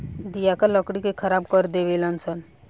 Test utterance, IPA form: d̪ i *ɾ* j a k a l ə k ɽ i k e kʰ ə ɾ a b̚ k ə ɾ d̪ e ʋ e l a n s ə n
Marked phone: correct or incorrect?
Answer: incorrect: none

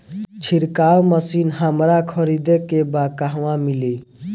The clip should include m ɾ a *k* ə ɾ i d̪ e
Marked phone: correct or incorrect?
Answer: incorrect: kʰ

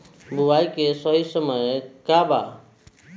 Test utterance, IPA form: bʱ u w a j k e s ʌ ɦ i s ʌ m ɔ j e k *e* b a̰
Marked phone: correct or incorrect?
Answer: incorrect: a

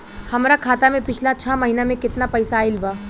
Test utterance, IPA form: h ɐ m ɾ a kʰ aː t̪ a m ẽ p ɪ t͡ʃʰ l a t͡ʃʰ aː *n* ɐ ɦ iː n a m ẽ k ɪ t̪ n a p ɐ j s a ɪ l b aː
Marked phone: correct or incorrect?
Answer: incorrect: m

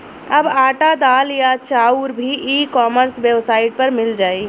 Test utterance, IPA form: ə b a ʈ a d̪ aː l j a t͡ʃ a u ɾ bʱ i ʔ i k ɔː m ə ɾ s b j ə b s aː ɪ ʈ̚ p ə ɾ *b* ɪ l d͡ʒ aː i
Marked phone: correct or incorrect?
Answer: incorrect: m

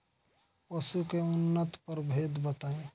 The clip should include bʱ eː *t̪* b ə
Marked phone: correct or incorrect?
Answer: incorrect: d̪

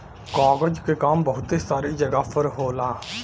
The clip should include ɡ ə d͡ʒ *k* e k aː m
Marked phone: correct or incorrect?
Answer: correct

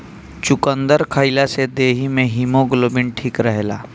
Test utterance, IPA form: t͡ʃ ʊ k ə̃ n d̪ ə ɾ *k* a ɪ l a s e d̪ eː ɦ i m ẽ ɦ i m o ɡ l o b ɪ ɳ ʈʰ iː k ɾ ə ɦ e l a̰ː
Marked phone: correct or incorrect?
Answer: incorrect: kʰ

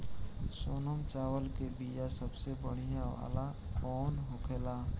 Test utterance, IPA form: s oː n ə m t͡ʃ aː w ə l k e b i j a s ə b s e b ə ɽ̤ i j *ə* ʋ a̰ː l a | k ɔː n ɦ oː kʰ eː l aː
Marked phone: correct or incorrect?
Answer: incorrect: a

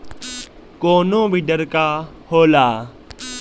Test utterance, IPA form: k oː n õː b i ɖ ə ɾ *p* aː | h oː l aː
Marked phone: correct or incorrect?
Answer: incorrect: k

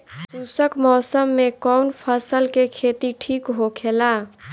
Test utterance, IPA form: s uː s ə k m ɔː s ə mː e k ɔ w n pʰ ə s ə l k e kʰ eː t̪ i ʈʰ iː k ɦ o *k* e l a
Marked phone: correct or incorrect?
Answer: incorrect: kʰ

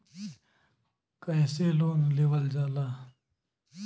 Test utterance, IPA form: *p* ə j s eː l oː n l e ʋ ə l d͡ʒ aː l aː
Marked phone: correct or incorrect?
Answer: incorrect: k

